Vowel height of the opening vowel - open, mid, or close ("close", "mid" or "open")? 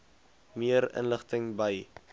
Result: close